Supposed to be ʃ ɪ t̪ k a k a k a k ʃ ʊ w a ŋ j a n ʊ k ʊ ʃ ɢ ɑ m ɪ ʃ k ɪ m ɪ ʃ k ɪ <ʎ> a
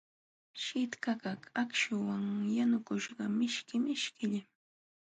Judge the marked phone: correct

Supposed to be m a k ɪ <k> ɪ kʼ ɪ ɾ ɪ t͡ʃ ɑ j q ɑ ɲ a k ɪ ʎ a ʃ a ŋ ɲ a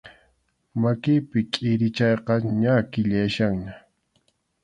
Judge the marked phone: incorrect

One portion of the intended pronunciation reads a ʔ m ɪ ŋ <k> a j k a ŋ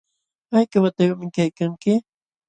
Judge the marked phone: correct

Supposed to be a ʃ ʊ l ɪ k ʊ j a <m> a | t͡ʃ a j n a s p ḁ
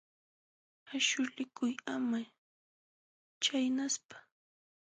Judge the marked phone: correct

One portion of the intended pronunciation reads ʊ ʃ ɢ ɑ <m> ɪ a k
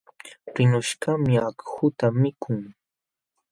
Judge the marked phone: correct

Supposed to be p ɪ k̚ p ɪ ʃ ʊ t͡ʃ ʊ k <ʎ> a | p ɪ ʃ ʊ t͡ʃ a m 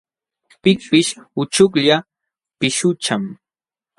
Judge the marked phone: correct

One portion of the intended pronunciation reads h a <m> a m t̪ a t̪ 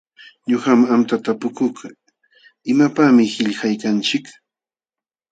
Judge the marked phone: correct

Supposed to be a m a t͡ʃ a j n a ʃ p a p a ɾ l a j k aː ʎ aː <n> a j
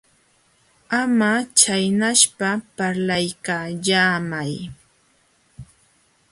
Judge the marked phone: incorrect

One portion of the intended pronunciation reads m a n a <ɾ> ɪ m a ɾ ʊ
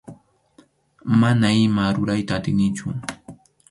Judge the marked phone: incorrect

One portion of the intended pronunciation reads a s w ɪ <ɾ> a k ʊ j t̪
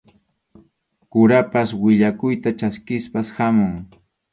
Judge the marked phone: incorrect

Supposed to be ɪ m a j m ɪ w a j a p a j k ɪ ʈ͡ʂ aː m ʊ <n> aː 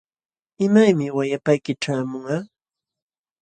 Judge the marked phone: incorrect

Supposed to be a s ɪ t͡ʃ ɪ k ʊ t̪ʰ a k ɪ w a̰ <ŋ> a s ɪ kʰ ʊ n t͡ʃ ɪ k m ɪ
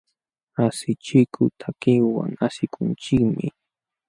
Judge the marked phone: correct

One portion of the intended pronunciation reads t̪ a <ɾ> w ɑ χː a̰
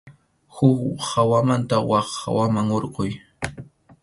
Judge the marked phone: incorrect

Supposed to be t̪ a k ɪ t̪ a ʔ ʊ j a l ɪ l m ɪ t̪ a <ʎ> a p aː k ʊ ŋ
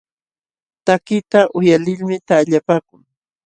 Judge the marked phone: correct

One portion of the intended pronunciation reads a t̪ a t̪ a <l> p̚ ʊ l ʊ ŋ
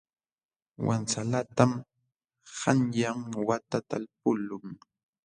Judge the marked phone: correct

